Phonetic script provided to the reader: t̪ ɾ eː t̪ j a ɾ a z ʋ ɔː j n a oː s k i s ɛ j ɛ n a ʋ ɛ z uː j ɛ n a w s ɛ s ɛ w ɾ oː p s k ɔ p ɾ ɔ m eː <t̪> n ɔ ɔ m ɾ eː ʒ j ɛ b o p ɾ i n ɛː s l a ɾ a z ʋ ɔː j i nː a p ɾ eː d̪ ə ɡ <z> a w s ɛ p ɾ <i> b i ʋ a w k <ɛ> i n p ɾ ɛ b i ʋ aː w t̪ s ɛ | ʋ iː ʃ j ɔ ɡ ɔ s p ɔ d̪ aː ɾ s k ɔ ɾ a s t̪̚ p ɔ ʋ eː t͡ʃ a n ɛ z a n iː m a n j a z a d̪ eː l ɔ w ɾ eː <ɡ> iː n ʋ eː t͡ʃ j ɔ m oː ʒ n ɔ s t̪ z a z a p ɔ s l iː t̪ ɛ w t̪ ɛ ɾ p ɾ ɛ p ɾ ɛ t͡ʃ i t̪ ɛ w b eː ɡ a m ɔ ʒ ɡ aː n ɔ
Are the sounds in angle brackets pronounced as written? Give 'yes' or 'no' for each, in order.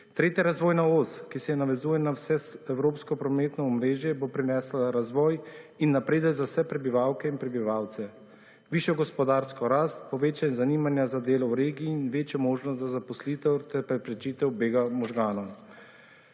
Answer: yes, yes, no, yes, yes

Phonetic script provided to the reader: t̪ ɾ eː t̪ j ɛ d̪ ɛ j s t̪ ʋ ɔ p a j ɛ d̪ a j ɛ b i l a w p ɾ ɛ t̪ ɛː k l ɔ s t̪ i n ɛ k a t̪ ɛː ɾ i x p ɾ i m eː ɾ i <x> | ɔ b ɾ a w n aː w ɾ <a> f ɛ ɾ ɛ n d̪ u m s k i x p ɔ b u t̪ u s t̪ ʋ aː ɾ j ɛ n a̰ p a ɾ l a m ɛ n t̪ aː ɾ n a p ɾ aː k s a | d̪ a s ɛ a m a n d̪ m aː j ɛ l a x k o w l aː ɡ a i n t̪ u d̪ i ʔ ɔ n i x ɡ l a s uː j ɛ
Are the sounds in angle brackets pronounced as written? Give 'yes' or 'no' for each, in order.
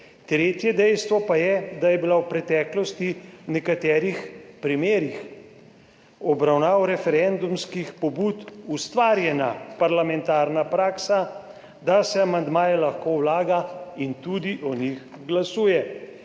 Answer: yes, no

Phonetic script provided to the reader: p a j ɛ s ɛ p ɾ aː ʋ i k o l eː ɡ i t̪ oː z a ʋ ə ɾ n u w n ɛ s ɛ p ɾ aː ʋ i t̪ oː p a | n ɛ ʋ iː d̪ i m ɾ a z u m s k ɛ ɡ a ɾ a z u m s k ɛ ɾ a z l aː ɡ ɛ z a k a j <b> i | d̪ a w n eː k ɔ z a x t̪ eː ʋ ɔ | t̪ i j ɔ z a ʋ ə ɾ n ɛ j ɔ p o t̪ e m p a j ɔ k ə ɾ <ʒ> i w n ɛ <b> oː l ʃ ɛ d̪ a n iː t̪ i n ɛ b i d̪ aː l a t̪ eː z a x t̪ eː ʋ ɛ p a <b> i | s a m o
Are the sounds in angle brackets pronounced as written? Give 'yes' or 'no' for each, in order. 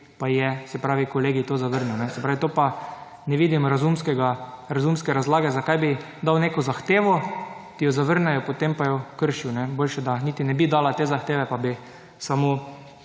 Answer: yes, no, yes, yes

